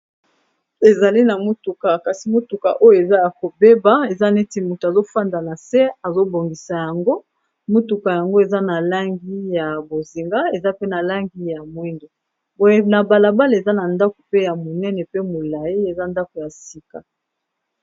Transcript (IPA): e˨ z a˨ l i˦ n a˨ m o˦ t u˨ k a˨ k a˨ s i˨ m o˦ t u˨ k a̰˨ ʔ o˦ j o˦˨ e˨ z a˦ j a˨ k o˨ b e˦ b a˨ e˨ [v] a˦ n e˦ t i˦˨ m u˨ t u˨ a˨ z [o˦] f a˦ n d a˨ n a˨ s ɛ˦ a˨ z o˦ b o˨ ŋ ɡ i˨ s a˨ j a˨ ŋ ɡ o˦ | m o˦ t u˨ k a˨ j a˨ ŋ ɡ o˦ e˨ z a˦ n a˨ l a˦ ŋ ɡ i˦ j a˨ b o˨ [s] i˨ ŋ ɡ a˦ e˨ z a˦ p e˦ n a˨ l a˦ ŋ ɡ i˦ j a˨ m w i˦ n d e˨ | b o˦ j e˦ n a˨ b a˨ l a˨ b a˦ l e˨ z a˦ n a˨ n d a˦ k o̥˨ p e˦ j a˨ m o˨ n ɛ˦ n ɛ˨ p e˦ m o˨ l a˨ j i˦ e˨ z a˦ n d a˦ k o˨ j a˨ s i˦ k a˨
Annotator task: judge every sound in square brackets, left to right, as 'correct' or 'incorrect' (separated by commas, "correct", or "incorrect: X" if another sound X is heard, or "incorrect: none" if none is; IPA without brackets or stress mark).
incorrect: z, correct, incorrect: z